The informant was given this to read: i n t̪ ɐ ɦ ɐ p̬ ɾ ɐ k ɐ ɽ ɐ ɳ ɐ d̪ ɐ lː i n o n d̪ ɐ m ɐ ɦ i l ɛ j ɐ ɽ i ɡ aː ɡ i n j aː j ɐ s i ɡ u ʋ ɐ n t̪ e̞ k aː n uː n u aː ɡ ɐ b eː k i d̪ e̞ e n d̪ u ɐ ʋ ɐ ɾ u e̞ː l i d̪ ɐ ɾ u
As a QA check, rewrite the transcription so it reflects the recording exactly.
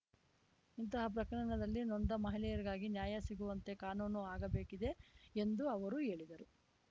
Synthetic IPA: i n t̪ ɐ ɦ ɐ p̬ ɾ ɐ k ɐ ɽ ɐ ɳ ɐ d̪ ɐ lː i n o n d̪ ɐ m ɐ ɦ i l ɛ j ɐ ɾ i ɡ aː ɡ i n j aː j ɐ s i ɡ u ʋ ɐ n t̪ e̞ k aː n uː n u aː ɡ ɐ b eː k i d̪ e̞ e n d̪ u ɐ ʋ ɐ ɾ u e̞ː ɭ i d̪ ɐ ɾ u